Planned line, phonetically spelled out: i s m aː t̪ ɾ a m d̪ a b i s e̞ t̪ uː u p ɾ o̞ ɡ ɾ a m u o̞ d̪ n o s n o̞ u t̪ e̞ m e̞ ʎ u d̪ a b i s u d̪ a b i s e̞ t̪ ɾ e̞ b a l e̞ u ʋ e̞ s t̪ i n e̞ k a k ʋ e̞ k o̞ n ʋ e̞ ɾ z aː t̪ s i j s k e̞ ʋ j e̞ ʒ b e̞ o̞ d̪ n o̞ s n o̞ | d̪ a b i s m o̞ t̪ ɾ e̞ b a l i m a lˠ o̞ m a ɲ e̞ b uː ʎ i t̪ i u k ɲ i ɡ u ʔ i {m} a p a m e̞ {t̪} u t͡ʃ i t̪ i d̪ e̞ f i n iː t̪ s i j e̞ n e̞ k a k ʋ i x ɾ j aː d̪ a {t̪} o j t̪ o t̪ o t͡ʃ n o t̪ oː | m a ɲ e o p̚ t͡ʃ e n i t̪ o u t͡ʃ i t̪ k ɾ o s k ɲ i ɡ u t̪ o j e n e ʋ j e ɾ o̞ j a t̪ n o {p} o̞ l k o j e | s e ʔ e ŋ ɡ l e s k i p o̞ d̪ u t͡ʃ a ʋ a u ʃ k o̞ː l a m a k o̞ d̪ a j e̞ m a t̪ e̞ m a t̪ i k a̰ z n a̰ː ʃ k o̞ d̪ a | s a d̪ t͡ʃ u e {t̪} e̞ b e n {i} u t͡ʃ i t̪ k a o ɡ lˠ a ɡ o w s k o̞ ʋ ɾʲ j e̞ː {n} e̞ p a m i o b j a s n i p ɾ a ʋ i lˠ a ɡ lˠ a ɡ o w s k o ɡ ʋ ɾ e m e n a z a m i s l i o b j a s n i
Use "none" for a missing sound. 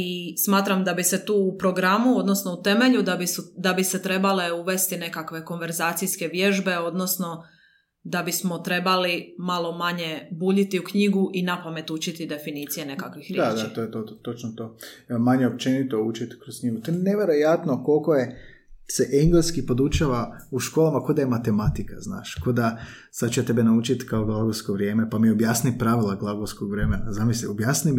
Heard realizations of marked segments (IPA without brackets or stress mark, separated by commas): n, t̪, t̪, k, t̪, a, m